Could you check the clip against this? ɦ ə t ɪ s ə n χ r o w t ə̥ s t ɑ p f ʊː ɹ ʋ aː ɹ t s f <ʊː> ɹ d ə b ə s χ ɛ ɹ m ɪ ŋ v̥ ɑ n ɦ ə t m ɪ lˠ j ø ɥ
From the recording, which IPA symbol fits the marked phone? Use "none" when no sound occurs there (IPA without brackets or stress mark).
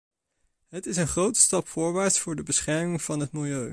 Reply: ʊː